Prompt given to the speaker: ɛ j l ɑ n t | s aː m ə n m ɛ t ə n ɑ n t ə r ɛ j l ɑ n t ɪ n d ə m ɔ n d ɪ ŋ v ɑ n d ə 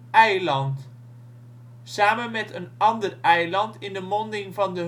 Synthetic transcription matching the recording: ɛ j l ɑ n t | s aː m ə n m ɛ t ə n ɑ n d ə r ɛ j l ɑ n t ɪ n d ə m ɔ n d ɪ ŋ v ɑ n d ə